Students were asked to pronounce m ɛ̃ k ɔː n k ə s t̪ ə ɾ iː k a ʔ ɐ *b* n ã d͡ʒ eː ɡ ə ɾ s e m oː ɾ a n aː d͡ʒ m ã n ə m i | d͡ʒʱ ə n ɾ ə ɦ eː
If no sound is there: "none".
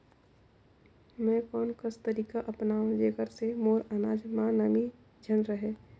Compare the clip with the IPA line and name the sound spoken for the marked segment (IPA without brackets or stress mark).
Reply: p